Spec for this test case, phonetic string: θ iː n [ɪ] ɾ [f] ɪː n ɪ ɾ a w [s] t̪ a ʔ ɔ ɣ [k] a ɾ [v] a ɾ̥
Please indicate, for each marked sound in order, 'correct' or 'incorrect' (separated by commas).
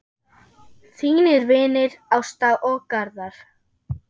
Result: correct, incorrect, correct, correct, incorrect